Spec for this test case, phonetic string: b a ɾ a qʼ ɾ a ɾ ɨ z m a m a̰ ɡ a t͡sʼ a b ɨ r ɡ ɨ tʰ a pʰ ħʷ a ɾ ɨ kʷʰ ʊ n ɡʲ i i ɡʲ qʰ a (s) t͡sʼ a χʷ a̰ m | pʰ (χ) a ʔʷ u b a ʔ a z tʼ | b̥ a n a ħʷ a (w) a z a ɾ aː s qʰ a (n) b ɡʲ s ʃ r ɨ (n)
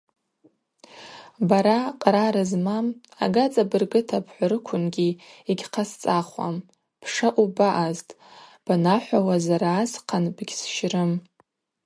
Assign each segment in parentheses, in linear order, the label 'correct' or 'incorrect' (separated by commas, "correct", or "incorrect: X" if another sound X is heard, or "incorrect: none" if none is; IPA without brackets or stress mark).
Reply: correct, incorrect: ʂ, correct, correct, incorrect: m